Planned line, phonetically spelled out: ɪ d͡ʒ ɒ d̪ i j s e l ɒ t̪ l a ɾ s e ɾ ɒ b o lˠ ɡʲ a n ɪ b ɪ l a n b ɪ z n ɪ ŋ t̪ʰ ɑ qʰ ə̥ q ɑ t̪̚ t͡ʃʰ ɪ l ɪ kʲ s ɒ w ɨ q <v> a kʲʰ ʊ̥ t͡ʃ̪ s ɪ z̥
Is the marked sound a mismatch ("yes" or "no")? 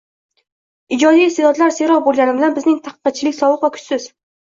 no